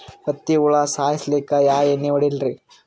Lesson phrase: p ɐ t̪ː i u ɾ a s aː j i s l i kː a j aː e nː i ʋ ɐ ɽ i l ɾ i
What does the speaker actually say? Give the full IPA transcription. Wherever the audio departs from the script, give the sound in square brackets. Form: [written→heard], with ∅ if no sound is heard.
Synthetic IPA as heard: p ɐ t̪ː i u [ɾ→ɭ] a s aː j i s l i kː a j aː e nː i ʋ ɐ ɽ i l ɾ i